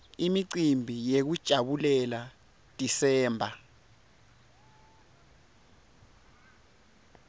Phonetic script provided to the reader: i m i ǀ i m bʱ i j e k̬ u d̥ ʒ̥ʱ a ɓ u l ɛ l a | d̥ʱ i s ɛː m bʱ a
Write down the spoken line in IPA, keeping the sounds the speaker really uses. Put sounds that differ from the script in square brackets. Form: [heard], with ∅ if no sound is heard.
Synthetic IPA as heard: i m i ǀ i m bʱ i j e k̬ u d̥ ʒ̥ʱ a ɓ u l ɛ l a | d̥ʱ i s ɛː m bʱ a